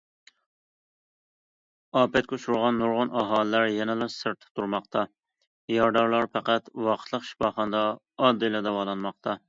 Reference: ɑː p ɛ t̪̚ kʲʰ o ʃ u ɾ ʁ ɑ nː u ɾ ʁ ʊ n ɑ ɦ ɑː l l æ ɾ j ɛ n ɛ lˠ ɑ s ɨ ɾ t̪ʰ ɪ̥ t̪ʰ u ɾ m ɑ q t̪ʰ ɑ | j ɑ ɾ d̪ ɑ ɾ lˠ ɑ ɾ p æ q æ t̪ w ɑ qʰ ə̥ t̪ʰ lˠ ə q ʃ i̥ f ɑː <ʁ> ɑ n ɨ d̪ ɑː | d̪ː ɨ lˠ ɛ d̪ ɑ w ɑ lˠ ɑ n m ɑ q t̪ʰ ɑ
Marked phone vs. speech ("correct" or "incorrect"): incorrect